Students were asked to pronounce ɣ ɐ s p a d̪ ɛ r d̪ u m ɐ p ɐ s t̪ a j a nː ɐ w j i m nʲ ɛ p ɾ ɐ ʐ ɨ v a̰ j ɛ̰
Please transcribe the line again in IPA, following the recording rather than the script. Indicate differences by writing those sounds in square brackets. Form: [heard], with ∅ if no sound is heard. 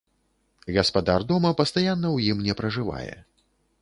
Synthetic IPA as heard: ɣ ɐ s p a d̪ [a] r d̪ [ɔ] m ɐ p ɐ s t̪ a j a nː ɐ w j i m nʲ ɛ p ɾ ɐ ʐ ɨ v a̰ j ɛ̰